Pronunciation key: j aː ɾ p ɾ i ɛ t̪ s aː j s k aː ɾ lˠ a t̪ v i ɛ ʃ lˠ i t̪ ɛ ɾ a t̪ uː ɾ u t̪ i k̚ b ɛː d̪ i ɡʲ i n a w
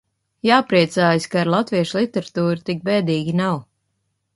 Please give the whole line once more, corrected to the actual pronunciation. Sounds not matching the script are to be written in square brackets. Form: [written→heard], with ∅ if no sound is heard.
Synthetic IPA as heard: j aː [ɾ→∅] p ɾ i ɛ t̪ s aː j s k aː ɾ lˠ a t̪ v i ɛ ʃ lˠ i t̪ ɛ ɾ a t̪ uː ɾ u t̪ i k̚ b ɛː d̪ [i→iː] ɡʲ i n a w